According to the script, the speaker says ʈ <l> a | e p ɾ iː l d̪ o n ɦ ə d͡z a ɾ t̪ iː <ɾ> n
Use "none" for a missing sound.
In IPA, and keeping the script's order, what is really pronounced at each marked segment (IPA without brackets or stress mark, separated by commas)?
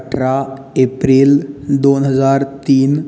ɾ, none